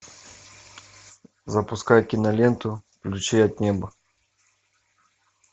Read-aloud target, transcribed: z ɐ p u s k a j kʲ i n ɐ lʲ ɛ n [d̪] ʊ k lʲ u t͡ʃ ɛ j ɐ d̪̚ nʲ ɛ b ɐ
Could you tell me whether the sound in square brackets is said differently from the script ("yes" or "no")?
yes